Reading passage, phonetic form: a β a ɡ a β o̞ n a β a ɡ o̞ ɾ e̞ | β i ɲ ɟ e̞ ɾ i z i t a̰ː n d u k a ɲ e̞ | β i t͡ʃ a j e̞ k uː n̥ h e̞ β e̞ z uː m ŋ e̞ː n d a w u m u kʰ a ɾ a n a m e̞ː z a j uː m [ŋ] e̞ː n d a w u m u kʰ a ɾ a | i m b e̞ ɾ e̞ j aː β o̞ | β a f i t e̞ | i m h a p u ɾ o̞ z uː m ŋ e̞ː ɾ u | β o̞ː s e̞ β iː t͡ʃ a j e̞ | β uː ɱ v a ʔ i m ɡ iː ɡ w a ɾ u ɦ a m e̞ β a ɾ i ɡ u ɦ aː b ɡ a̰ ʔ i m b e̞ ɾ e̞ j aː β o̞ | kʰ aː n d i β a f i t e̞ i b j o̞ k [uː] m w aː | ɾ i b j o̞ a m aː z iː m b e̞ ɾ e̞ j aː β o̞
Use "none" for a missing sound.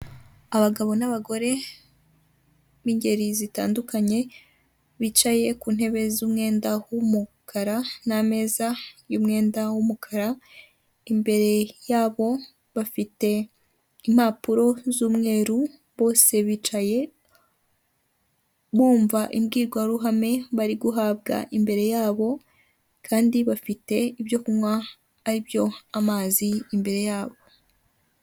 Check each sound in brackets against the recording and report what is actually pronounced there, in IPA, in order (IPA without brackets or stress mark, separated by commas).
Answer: ŋ, u